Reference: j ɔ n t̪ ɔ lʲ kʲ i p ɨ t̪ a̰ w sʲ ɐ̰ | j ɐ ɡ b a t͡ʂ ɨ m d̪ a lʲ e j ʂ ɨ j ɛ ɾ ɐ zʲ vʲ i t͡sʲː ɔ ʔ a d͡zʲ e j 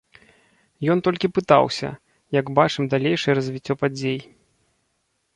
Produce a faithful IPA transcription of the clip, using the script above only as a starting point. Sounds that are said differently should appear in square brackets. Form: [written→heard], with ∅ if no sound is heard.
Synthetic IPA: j ɔ n t̪ ɔ lʲ kʲ i p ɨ t̪ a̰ w sʲ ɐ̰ | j ɐ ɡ b a t͡ʂ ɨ m d̪ a lʲ e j ʂ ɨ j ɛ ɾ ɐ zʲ vʲ i t͡sʲː ɔ [ʔ→p] a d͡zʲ e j

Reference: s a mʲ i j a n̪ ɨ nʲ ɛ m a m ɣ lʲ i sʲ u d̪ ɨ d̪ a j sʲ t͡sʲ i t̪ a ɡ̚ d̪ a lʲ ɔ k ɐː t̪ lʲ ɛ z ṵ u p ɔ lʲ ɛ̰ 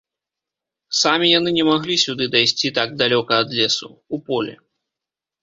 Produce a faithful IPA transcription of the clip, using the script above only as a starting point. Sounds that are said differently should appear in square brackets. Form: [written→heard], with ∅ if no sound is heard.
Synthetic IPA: s a mʲ i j a n̪ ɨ nʲ ɛ m a [m→∅] ɣ lʲ i sʲ u d̪ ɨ d̪ a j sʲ t͡sʲ i t̪ a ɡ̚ d̪ a lʲ ɔ k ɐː [t̪→d̪] lʲ ɛ [z→s] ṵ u p ɔ lʲ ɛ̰

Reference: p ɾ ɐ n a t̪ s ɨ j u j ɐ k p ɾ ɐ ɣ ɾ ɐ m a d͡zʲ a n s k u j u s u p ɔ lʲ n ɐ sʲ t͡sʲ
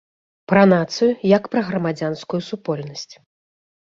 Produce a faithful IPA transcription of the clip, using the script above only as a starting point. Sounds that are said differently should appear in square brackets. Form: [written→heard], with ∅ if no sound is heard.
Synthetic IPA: p ɾ ɐ n a t̪ s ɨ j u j ɐ k p ɾ ɐ ɣ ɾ ɐ m a d͡zʲ a n s k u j u s u p ɔ lʲ n ɐ sʲ t͡sʲ

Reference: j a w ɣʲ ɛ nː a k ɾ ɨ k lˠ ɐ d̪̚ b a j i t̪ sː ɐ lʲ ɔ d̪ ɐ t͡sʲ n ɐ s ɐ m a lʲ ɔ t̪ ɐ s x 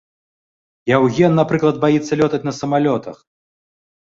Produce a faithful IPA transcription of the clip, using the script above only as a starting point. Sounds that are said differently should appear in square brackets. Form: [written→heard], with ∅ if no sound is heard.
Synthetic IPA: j a w ɣʲ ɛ nː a [k→p] ɾ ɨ k lˠ ɐ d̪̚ b a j i t̪ sː ɐ lʲ ɔ [d̪→t̪] ɐ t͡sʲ n ɐ s ɐ m a lʲ ɔ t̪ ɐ [s→∅] x

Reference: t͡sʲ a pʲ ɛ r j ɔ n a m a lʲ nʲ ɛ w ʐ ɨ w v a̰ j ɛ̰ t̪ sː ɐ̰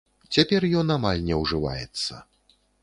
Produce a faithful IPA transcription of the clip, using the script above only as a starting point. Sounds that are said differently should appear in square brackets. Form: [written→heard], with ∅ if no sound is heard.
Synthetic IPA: t͡sʲ a pʲ ɛ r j ɔ n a m a lʲ nʲ ɛ w ʐ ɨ [w→∅] v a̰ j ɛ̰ t̪ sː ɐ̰

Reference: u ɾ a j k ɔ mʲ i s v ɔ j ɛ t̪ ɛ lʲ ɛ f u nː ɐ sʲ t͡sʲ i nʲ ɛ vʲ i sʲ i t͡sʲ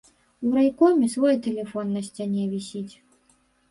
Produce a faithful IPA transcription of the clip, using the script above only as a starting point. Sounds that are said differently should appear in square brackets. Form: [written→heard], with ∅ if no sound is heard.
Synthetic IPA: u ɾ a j k ɔ mʲ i s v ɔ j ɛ t̪ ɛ lʲ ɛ f [u→ɔ] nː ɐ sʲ t͡sʲ [i→a] nʲ ɛ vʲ i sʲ i t͡sʲ

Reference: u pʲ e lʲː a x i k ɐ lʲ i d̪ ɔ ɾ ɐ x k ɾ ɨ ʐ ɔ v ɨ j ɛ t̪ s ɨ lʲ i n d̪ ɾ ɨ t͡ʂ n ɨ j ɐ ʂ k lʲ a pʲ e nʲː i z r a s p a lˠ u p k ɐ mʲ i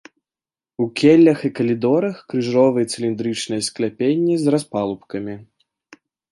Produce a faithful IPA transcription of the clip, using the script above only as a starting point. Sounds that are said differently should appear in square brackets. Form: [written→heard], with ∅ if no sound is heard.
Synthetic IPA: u [pʲ→kʲ] e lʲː [a→ɐ] x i k ɐ lʲ i d̪ ɔ ɾ ɐ x k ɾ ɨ ʐ ɔ v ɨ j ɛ t̪ s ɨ lʲ i n d̪ ɾ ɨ t͡ʂ n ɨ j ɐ [ʂ→s] k lʲ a pʲ e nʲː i z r a s p a lˠ u p k ɐ mʲ i

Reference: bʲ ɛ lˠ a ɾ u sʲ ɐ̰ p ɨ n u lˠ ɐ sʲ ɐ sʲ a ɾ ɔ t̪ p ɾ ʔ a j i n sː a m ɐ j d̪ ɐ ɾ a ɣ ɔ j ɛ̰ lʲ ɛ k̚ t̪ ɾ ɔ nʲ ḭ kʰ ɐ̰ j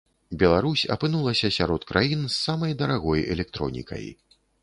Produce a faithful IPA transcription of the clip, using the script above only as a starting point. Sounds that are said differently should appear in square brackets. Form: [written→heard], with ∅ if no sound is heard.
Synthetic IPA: bʲ ɛ lˠ a ɾ u sʲ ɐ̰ p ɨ n u lˠ ɐ sʲ ɐ sʲ a ɾ ɔ t̪ [p→k] ɾ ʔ a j i n sː a m ɐ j d̪ ɐ ɾ a ɣ ɔ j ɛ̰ lʲ ɛ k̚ t̪ ɾ ɔ nʲ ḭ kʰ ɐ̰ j

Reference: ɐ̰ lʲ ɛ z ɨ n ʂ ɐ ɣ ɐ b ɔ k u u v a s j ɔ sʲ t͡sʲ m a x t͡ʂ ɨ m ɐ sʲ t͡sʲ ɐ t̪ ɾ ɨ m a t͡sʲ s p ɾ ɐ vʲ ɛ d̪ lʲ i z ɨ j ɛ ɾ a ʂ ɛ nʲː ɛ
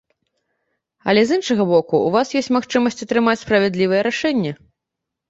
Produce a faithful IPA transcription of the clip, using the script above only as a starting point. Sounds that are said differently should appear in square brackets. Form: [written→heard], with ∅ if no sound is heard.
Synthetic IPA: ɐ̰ lʲ ɛ z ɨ n ʂ ɐ ɣ ɐ b ɔ k u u v a s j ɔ sʲ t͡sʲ m a x t͡ʂ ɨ m ɐ sʲ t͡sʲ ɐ t̪ ɾ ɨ m a t͡sʲ s p ɾ ɐ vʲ ɛ d̪ lʲ i [z→v] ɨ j ɛ ɾ a ʂ ɛ nʲː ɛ

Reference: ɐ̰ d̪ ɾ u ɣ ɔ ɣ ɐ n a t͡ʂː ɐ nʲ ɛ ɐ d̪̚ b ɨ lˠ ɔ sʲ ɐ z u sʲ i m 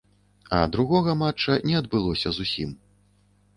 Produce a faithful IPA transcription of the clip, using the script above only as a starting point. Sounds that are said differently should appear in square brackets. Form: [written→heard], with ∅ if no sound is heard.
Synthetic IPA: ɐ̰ d̪ ɾ u ɣ ɔ ɣ ɐ [n→m] a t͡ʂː ɐ nʲ ɛ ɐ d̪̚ b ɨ lˠ ɔ sʲ ɐ z u sʲ i m

